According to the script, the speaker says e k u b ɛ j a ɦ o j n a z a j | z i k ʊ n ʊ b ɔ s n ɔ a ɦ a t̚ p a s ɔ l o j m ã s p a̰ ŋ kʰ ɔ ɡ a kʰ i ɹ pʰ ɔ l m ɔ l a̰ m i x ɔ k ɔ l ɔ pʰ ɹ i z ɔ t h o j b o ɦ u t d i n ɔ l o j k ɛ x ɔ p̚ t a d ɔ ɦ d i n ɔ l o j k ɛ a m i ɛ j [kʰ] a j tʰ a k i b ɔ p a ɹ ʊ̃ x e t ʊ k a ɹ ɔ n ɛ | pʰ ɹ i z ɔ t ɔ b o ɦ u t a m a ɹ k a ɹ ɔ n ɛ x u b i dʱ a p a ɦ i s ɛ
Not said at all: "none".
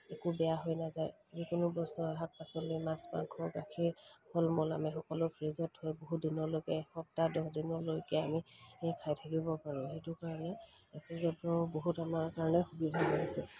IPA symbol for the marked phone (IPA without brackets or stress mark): kʰ